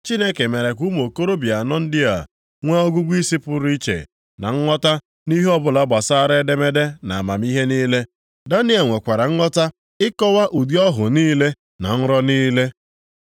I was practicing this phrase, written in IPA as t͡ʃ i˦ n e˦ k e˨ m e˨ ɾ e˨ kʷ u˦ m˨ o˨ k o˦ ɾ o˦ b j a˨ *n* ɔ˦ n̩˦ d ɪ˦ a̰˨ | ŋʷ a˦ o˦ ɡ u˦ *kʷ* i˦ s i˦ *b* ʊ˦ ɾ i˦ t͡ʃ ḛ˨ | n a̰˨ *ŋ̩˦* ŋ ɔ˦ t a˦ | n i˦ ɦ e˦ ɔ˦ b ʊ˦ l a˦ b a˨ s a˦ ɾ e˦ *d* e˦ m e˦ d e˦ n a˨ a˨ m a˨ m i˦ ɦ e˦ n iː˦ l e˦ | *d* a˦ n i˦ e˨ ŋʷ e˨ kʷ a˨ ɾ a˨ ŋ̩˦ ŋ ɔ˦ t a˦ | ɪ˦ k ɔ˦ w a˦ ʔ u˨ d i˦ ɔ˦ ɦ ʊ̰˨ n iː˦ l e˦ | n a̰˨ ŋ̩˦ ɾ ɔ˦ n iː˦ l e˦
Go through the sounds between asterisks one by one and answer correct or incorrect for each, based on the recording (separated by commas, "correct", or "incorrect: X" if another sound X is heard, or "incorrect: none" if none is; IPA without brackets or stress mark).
correct, incorrect: ɡʷ, incorrect: p, correct, correct, correct